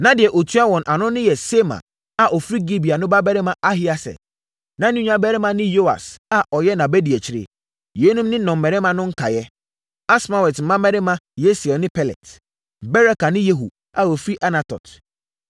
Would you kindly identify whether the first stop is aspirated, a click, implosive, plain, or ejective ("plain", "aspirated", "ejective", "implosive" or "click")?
plain